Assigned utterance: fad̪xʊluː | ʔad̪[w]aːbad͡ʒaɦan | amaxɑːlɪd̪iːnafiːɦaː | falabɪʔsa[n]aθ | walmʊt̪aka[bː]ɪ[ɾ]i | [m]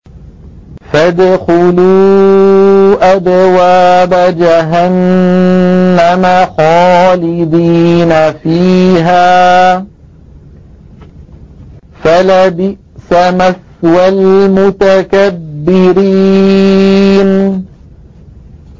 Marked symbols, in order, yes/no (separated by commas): yes, no, yes, yes, no